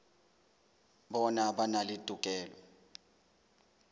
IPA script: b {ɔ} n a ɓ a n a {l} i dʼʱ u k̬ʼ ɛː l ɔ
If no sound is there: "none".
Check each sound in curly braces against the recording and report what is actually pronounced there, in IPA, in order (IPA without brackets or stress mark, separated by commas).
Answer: ɔ, l